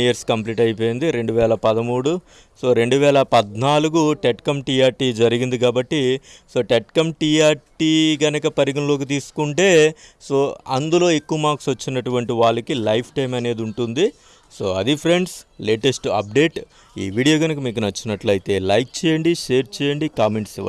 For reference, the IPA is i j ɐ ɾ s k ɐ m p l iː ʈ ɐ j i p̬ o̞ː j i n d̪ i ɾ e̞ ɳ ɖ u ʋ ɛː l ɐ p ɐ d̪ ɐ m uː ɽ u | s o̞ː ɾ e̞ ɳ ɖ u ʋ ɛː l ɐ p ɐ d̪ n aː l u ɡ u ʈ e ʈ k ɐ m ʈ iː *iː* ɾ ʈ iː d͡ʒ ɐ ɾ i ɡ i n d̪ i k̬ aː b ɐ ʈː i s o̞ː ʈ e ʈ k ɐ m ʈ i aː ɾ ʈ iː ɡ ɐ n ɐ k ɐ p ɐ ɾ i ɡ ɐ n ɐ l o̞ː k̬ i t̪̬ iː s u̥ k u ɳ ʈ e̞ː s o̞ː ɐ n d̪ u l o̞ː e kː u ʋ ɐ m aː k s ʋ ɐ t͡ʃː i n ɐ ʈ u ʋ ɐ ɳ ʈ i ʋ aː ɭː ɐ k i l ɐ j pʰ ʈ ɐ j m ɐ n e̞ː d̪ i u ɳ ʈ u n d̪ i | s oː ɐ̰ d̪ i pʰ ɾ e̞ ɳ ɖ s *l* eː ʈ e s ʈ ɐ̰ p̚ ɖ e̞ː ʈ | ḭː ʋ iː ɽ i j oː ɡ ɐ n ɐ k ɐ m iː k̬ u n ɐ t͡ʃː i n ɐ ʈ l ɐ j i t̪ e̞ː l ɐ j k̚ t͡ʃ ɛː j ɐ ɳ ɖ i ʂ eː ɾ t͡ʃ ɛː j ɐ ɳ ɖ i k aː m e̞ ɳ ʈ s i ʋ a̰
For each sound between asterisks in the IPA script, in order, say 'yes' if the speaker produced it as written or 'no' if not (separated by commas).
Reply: no, yes